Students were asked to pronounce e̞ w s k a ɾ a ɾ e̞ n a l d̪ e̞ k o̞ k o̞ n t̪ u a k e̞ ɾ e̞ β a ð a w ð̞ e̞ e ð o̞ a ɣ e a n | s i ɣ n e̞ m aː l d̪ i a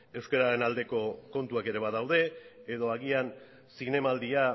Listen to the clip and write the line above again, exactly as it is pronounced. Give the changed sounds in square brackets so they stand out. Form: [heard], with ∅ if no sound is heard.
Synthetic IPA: e̞ w s k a ɾ a ɾ e̞ n a l d̪ e̞ k o̞ k o̞ n t̪ u a k e̞ ɾ e̞ β a ð a w ð̞ e̞ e ð o̞ a ɣ [i] a n | s i ɣ n e̞ m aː l d̪ i a